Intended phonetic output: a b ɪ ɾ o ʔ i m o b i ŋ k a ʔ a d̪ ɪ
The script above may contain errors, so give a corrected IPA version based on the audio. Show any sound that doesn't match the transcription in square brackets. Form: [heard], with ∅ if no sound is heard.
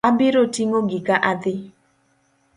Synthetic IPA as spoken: a b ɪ ɾ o [t] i [ŋ] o [ɡ] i [∅] k a ʔ a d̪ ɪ